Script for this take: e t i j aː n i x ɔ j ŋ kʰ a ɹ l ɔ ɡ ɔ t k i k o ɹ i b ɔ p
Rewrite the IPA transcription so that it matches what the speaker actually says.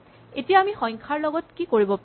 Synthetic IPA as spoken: e t i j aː m i x ɔ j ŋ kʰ a ɹ l ɔ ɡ ɔ t k i k o ɹ i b ɔ p